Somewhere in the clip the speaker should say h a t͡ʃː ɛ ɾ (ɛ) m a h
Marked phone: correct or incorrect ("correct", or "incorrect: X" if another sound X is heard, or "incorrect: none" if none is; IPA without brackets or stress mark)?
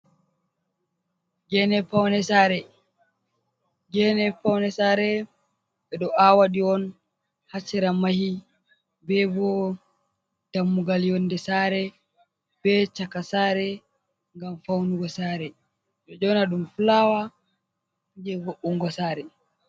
incorrect: a